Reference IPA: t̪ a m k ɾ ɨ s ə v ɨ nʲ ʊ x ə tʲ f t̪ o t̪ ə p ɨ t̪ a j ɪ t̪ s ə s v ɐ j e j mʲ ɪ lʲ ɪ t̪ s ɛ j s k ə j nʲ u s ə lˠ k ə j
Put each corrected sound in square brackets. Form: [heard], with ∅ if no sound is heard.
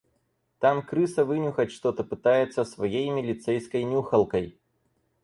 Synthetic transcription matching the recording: t̪ a m k ɾ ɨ s ə v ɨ nʲ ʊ x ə tʲ [ʂ] t̪ o t̪ ə p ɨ t̪ a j ɪ t̪ s ə s v ɐ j e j mʲ ɪ lʲ ɪ t̪ s ɛ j s k ə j nʲ u [x] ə lˠ k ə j